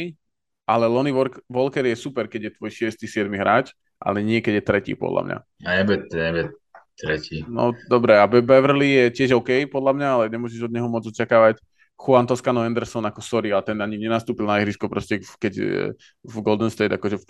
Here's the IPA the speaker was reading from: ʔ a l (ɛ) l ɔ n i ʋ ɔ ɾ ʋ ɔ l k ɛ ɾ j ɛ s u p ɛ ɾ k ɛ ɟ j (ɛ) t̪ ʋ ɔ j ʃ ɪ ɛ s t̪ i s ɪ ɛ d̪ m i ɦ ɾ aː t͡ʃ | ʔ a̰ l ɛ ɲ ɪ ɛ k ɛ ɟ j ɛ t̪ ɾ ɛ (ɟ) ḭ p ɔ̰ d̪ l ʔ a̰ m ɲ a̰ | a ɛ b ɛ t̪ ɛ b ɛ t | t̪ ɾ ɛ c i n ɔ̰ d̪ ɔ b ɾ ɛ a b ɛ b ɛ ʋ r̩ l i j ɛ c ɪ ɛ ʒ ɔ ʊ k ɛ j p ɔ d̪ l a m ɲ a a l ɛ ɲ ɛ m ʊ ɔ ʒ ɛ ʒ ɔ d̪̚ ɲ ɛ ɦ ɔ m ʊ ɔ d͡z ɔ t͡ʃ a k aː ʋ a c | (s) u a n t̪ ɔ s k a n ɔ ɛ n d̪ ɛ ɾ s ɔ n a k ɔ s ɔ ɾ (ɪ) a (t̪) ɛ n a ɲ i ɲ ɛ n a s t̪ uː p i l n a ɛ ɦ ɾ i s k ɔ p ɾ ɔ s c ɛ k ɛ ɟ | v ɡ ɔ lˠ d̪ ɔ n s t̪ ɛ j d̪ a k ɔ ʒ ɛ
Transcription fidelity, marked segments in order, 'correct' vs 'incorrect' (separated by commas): correct, correct, incorrect, incorrect, incorrect, correct